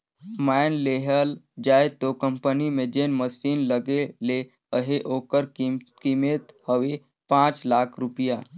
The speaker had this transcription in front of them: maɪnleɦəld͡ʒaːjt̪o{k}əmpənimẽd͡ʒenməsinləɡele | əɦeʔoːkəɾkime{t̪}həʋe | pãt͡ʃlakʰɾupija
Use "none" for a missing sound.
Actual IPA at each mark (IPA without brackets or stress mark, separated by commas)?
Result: k, t̪